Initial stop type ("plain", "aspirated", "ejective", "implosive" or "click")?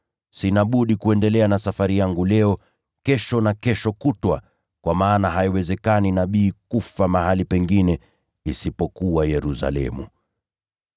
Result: implosive